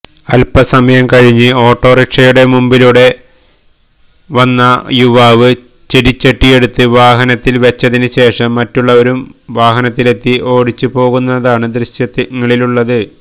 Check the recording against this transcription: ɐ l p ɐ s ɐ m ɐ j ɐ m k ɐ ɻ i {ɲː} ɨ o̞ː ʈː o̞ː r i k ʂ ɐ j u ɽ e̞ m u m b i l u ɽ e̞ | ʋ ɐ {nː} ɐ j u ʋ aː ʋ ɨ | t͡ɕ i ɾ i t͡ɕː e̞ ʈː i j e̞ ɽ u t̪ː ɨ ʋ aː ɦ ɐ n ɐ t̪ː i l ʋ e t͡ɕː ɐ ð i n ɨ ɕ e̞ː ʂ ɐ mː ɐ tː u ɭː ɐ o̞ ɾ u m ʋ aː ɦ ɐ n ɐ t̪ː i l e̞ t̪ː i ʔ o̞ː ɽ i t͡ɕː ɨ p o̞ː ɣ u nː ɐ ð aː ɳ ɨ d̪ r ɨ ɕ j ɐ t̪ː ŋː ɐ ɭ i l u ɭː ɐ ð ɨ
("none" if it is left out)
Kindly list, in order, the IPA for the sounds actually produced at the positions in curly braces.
ɲː, nː

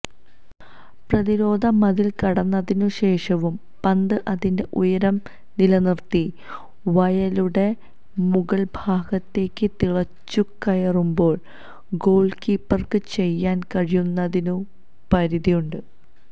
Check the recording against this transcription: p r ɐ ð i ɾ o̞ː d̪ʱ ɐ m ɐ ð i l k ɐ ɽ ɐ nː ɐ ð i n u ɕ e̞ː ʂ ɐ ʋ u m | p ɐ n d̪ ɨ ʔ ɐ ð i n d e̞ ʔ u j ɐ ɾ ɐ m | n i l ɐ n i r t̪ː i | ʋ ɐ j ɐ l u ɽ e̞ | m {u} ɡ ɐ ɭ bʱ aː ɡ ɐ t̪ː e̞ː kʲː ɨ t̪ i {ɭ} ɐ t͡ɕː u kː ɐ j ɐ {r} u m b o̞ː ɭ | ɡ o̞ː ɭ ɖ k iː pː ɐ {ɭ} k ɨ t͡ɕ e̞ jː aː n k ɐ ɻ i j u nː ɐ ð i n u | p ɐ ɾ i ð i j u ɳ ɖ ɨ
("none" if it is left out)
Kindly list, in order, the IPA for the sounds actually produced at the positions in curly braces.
u, ɭ, r, r

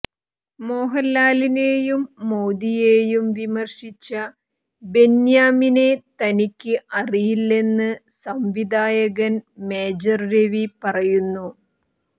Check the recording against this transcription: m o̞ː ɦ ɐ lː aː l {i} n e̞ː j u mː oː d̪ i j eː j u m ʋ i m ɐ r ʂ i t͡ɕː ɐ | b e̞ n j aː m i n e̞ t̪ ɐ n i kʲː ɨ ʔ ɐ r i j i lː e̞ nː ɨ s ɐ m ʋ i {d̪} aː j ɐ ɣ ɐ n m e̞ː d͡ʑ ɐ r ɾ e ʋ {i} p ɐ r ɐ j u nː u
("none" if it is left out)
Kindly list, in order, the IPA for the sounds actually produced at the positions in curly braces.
i, d̪, i

